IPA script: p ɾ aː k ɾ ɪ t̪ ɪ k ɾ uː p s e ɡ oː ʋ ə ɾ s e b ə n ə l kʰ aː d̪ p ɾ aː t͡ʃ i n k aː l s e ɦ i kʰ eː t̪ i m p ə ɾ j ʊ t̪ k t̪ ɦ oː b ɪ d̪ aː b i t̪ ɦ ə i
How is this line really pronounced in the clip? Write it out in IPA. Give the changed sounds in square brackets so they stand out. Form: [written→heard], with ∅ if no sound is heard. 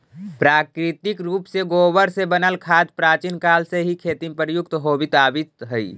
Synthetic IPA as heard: p ɾ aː k ɾ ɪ t̪ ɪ k ɾ uː p s e ɡ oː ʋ ə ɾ s e b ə n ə l kʰ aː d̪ p ɾ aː t͡ʃ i n k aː l s e ɦ i kʰ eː t̪ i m p ə ɾ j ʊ [t̪→∅] k t̪ ɦ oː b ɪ [d̪→t̪] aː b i t̪ ɦ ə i